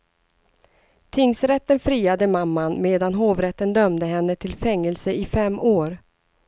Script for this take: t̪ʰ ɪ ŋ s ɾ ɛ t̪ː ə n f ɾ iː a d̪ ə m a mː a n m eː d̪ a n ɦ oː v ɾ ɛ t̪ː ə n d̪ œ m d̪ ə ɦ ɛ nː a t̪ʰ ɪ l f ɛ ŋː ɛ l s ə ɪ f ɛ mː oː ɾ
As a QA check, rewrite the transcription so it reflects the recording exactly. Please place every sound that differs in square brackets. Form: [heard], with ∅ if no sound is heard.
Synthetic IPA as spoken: t̪ʰ ɪ ŋ s ɾ ɛ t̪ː ə n f ɾ iː a d̪ ə m a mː a n m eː d̪ a n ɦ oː v ɾ ɛ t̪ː ə n d̪ œ m d̪ ə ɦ ɛ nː [ə] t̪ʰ ɪ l f ɛ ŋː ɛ l s ə ɪ f ɛ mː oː ɾ

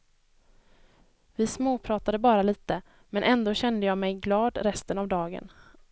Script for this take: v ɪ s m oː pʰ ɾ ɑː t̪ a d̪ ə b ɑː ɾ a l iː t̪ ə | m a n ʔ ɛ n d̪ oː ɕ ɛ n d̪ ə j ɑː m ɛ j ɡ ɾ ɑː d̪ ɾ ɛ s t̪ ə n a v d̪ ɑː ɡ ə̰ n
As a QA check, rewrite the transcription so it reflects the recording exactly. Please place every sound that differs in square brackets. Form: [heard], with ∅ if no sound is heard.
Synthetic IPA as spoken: v ɪ s m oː pʰ ɾ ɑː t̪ a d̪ ə b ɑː ɾ a l iː t̪ ə | m [ɛ] n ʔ ɛ n d̪ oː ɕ ɛ n d̪ ə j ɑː m ɛ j ɡ [l] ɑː d̪ ɾ ɛ s t̪ ə n a v d̪ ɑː ɡ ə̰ n

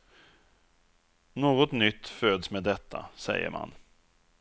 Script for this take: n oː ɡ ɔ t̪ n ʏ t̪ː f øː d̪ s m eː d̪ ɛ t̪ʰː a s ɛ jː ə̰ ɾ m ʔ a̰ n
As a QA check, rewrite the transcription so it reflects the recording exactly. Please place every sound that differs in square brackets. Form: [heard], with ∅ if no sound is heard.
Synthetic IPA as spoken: n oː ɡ ɔ t̪ n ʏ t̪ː f øː d̪ s m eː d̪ ɛ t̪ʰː a s ɛ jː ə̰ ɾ m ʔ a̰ n

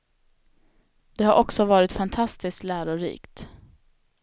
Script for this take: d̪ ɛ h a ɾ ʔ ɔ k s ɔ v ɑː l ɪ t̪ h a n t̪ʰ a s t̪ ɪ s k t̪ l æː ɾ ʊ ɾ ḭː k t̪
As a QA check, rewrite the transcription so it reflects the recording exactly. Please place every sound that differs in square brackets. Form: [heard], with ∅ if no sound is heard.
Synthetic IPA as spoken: d̪ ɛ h a ɾ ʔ ɔ k s ɔ v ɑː [ɾ] ɪ t̪ [f] a n t̪ʰ a s t̪ ɪ s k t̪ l æː ɾ ʊ ɾ ḭː k t̪

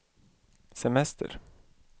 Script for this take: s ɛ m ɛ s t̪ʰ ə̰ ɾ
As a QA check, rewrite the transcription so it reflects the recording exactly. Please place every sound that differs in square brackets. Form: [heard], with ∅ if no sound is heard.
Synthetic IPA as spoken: s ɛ m ɛ s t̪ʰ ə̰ ɾ

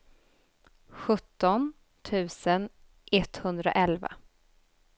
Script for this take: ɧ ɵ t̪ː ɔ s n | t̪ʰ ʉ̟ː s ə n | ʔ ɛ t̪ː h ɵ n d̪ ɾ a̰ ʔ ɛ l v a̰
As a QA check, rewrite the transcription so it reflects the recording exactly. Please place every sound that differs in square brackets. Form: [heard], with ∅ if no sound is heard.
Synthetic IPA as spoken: ɧ ɵ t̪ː ɔ [∅] n | t̪ʰ ʉ̟ː s ə n | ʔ ɛ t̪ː h ɵ n d̪ ɾ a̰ ʔ ɛ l v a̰

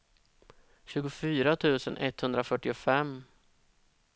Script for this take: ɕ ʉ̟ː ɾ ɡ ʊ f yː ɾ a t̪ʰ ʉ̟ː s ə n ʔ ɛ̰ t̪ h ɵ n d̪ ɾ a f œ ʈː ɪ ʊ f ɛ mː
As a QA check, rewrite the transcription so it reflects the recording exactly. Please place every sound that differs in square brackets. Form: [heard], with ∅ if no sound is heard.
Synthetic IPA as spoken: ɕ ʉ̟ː [∅] ɡ ʊ f yː ɾ a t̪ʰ ʉ̟ː s ə n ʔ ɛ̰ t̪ h ɵ n d̪ ɾ a f œ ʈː ɪ ʊ f ɛ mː

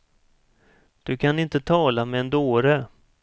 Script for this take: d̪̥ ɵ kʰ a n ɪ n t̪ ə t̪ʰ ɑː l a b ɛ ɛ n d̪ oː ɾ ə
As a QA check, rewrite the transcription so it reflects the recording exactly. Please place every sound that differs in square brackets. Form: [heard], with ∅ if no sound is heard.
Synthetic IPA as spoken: d̪̥ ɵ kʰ a n ɪ n t̪ ə t̪ʰ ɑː l a [m] ɛ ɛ n d̪ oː ɾ ə

